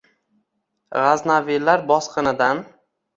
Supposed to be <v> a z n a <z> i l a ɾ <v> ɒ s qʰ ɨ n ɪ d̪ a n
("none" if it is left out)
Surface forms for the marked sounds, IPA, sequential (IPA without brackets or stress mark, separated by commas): ʁ, v, b